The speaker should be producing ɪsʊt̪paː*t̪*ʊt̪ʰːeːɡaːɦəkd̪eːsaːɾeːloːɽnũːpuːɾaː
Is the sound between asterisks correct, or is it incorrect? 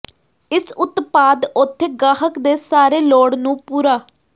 incorrect: d̪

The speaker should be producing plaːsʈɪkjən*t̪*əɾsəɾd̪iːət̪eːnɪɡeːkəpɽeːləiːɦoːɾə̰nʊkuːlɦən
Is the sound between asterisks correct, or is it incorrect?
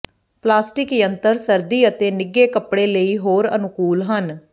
correct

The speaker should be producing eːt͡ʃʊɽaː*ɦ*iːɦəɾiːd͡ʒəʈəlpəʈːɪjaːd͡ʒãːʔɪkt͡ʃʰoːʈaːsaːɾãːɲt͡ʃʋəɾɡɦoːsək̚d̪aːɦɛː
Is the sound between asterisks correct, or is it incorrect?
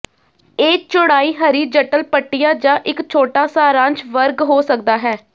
incorrect: none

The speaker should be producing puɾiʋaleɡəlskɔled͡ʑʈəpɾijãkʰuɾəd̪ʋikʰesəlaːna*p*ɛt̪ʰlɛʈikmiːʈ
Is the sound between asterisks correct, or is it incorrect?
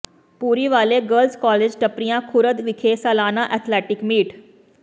incorrect: ʔ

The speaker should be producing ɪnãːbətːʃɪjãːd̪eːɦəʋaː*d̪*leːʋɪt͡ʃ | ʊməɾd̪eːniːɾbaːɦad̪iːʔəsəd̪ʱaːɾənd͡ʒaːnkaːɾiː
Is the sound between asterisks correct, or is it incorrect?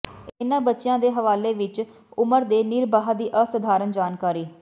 incorrect: none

